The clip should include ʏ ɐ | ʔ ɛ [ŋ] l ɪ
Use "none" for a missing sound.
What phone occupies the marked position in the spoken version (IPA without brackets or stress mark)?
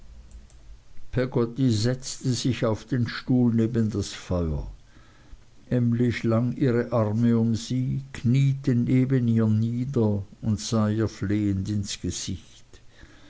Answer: m